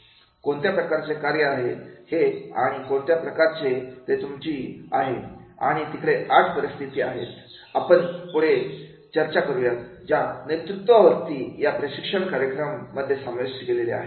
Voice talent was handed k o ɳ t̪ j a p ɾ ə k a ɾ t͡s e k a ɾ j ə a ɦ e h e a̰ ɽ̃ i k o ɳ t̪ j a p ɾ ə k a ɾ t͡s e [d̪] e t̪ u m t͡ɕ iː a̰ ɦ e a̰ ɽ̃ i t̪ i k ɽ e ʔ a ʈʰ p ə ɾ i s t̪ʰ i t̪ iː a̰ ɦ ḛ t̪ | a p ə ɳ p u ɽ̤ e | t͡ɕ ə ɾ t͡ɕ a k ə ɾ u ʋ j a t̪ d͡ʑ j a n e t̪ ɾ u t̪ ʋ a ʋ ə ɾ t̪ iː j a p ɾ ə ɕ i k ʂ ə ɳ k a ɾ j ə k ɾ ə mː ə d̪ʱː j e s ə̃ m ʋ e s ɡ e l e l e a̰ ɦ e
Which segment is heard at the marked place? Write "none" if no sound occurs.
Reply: t̪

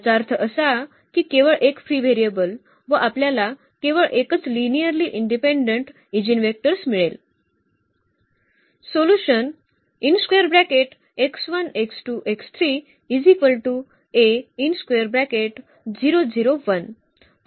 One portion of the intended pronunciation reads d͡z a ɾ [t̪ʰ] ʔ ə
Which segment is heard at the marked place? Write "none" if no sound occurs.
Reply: t̪ʰ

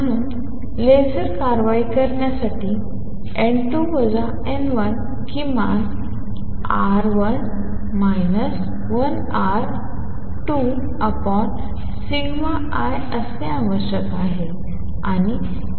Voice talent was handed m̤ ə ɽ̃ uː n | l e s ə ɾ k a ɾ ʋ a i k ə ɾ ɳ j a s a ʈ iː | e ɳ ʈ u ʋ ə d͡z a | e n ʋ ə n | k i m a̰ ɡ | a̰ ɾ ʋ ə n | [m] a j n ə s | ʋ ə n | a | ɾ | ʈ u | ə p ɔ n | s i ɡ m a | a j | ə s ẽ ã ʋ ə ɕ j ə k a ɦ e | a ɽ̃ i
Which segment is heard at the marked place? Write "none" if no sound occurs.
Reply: m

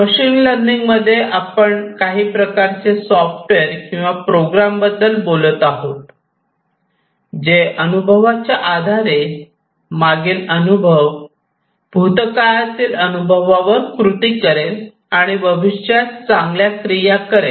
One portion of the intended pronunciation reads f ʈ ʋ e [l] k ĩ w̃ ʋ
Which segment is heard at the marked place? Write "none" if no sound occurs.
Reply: ɾ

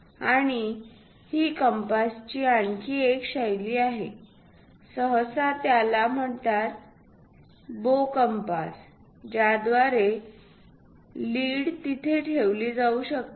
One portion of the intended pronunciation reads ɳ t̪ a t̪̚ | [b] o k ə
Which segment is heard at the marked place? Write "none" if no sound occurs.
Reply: b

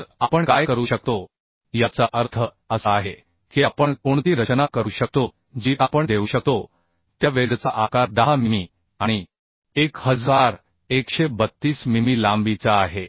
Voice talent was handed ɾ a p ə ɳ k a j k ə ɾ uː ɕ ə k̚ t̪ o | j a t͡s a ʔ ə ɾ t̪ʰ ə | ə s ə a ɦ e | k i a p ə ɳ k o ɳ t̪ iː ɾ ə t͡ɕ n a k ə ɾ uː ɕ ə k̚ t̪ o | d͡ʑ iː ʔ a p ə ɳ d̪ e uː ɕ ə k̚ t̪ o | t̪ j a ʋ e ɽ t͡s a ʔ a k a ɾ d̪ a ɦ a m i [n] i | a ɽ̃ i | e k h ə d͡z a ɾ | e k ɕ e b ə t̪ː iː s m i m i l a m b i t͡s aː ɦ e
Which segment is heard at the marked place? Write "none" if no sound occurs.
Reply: m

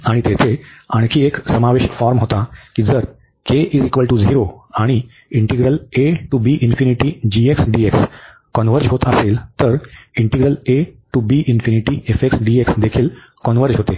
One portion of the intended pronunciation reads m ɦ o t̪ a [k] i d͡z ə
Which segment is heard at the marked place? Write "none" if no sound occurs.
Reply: k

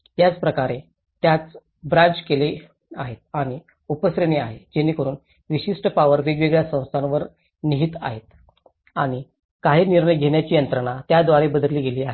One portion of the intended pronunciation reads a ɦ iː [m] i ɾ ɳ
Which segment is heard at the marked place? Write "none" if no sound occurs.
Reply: n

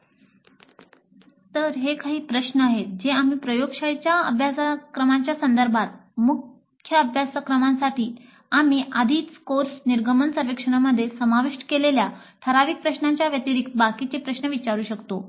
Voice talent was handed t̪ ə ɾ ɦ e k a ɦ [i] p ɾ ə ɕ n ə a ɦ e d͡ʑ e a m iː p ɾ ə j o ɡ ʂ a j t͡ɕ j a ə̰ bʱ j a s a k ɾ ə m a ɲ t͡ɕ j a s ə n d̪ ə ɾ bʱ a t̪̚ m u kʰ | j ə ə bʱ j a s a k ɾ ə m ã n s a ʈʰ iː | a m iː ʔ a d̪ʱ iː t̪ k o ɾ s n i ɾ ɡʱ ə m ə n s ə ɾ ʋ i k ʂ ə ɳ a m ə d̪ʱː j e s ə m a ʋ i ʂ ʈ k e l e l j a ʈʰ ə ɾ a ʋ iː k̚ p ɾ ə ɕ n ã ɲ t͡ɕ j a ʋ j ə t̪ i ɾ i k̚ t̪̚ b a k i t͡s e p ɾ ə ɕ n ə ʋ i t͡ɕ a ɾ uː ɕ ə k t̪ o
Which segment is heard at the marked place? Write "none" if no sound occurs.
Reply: iː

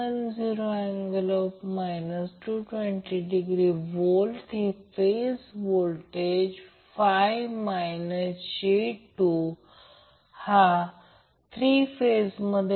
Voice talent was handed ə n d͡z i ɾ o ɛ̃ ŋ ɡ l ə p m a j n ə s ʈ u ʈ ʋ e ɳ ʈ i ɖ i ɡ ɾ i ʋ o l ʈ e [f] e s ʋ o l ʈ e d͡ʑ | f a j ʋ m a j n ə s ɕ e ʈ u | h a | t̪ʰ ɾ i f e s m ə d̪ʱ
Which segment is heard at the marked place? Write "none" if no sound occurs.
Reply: f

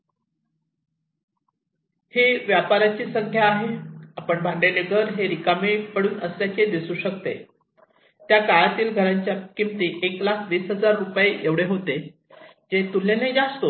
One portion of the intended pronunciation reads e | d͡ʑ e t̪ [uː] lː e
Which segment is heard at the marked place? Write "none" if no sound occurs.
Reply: u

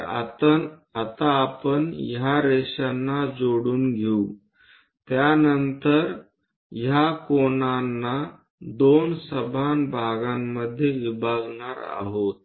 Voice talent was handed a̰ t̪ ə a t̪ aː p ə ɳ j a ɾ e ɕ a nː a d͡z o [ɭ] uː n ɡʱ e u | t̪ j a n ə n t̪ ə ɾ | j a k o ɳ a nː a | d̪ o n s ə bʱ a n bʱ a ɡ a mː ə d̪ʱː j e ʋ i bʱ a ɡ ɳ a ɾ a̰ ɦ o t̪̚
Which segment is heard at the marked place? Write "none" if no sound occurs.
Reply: ɽ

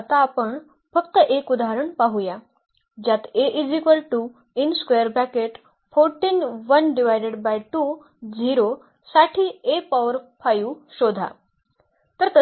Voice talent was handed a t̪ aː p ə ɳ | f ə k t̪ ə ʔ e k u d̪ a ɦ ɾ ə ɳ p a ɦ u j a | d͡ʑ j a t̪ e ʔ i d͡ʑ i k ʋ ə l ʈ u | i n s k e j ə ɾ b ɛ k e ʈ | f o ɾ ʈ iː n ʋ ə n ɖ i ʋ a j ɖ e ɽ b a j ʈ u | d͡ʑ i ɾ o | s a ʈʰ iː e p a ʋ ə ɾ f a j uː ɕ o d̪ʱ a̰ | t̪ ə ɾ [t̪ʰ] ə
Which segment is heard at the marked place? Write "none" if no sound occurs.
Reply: t̪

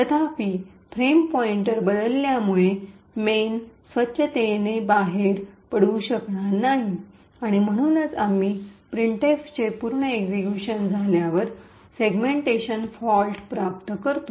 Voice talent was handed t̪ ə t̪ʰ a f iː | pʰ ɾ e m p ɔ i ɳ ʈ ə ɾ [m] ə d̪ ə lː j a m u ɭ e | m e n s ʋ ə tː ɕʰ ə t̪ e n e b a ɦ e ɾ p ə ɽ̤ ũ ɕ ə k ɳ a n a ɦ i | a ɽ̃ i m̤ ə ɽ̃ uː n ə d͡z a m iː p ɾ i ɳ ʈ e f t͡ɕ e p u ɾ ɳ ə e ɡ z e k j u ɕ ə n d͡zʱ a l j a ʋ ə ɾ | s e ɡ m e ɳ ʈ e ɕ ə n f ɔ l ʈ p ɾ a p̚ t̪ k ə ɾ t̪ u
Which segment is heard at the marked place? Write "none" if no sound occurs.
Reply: b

